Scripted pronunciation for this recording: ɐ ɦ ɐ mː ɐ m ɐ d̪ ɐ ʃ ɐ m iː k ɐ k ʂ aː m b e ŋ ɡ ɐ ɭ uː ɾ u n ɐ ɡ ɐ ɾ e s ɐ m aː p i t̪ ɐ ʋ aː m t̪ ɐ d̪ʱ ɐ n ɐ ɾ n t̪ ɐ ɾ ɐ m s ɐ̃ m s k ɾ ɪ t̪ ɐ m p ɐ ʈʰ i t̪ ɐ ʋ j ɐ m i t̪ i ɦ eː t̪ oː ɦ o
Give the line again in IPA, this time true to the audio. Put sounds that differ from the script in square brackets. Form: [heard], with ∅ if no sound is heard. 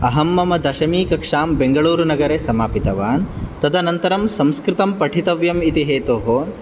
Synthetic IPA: ɐ ɦ ɐ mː ɐ m ɐ d̪ ɐ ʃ ɐ m iː k ɐ k ʂ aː m b e ŋ ɡ ɐ ɭ uː ɾ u n ɐ ɡ ɐ ɾ e s ɐ m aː p i t̪ ɐ ʋ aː [n] t̪ ɐ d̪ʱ ɐ n ɐ [∅] n t̪ ɐ ɾ ɐ m s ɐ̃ m s k ɾ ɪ t̪ ɐ m p ɐ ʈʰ i t̪ ɐ ʋ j ɐ m i t̪ i ɦ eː t̪ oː ɦ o

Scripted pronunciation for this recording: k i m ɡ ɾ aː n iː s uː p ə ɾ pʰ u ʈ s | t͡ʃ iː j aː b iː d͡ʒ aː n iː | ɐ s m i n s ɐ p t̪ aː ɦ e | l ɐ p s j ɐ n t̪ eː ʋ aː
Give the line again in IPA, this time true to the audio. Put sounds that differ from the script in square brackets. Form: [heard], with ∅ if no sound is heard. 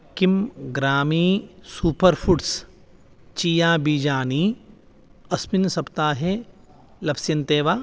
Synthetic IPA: k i m ɡ ɾ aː [m] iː s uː p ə ɾ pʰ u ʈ s | t͡ʃ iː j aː b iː d͡ʒ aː n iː | ɐ s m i n s ɐ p t̪ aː ɦ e | l ɐ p s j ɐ n t̪ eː ʋ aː

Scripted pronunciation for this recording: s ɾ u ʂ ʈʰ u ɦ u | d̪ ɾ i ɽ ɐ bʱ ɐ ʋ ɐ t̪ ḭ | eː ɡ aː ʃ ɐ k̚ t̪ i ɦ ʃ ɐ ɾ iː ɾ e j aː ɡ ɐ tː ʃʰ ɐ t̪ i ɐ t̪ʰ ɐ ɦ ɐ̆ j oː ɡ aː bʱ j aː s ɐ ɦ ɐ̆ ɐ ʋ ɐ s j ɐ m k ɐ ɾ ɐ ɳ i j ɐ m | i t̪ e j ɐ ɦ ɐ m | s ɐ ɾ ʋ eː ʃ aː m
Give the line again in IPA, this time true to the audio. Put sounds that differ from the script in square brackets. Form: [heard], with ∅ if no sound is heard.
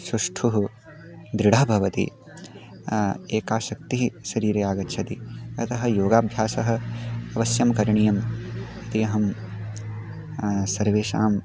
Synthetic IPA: s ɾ u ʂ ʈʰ u ɦ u | d̪ ɾ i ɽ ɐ bʱ ɐ ʋ ɐ t̪ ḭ | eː [k] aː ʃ ɐ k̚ t̪ i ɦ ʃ ɐ ɾ iː ɾ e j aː ɡ ɐ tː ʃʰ ɐ t̪ i ɐ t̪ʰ ɐ ɦ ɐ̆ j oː ɡ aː bʱ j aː s ɐ ɦ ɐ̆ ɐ ʋ ɐ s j ɐ m k ɐ ɾ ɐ ɳ i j ɐ m | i t̪ [i] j ɐ ɦ ɐ m | s ɐ ɾ ʋ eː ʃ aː m

